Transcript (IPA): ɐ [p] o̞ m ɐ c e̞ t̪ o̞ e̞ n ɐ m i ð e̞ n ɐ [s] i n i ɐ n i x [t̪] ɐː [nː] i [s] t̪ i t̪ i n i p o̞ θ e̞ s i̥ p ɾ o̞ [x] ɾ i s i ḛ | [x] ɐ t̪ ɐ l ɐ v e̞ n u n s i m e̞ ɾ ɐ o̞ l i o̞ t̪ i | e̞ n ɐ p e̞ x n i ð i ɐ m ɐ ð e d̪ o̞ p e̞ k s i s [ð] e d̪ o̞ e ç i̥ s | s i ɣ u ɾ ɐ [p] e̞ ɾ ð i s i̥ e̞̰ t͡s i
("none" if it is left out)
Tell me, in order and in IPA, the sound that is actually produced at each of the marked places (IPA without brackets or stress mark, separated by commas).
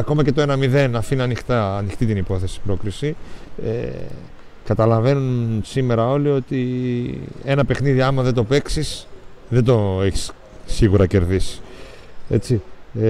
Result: k, f, t̪, n, x, k, k, ð, c